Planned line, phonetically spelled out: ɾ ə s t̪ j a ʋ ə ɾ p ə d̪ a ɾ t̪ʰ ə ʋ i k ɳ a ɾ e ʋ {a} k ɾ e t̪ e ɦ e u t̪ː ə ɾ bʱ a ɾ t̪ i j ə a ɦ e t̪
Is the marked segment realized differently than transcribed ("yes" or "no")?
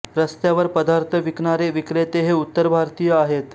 yes